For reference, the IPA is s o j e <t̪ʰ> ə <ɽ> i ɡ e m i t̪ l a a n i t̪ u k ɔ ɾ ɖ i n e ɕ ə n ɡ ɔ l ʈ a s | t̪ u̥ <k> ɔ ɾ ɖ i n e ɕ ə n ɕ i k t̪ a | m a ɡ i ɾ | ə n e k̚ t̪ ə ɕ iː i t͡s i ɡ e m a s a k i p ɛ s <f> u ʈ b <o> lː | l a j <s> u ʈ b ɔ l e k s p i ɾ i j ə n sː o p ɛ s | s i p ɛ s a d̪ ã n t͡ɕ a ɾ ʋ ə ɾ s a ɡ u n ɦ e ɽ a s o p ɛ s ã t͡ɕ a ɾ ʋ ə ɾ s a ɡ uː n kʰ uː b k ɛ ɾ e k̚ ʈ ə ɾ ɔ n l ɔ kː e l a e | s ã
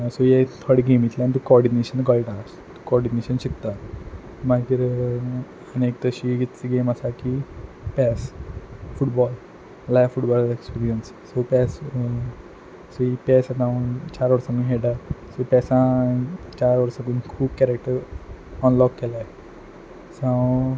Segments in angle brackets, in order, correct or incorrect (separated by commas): correct, correct, correct, correct, incorrect, incorrect